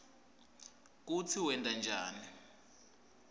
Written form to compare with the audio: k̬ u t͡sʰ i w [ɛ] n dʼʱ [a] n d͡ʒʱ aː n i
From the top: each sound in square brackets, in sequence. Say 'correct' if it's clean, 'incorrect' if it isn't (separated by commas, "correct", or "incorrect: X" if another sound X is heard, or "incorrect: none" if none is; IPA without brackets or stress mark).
correct, correct